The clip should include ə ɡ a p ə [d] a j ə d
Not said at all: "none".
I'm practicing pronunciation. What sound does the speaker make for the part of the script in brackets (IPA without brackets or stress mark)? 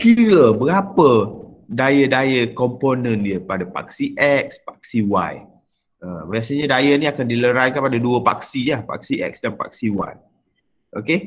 d